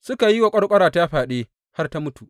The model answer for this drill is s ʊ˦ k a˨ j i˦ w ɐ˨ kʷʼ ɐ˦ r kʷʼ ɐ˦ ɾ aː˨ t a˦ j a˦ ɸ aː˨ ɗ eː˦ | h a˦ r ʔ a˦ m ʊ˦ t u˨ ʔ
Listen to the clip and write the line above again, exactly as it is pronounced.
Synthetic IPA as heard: s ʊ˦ k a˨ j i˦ w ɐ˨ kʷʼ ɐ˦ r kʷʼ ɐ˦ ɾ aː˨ t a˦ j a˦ ɸ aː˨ ɗ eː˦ | h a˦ r t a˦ m ʊ˦ t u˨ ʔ